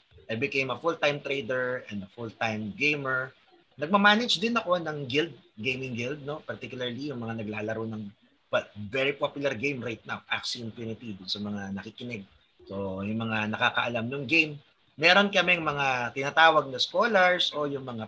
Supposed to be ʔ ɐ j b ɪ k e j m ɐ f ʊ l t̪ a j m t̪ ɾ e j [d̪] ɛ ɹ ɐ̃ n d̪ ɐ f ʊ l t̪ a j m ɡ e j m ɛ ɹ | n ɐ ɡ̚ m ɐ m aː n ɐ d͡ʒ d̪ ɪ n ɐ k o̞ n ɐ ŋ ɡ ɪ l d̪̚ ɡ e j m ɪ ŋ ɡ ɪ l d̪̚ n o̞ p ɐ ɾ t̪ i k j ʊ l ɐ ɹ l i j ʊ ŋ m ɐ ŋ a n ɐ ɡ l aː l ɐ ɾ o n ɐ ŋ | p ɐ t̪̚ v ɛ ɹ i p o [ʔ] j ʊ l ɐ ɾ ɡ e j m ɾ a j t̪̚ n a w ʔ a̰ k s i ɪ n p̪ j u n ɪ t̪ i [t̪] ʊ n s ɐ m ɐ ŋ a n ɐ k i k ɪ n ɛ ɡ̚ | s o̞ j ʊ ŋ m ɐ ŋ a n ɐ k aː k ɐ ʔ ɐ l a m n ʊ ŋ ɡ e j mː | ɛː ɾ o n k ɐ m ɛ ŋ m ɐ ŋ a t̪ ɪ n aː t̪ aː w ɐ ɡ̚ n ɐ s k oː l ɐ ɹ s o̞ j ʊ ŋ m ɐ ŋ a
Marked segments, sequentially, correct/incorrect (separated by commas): correct, incorrect, incorrect